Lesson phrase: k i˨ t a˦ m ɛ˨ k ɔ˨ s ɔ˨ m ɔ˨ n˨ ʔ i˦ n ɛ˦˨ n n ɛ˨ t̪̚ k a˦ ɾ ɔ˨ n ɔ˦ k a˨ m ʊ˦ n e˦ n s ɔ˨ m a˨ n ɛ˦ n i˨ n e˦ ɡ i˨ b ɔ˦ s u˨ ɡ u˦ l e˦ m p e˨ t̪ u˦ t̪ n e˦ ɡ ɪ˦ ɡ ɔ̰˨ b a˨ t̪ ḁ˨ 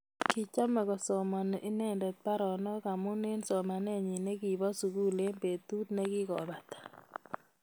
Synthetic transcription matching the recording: k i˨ t͡ʃ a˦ m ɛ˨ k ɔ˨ s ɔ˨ m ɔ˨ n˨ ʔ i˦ n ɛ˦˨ n d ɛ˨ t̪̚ p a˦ ɾ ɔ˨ n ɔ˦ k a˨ m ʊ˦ n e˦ n s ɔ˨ m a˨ n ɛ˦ ɲ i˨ n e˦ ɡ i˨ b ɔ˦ s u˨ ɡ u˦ l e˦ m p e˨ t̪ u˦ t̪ n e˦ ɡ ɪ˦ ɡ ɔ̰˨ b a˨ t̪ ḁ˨